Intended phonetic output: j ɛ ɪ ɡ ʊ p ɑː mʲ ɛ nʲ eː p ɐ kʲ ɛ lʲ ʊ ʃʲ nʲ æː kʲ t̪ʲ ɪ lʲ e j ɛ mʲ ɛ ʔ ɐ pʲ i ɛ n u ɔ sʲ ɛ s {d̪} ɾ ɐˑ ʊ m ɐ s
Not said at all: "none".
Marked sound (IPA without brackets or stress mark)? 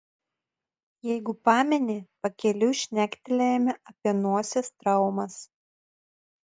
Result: t̪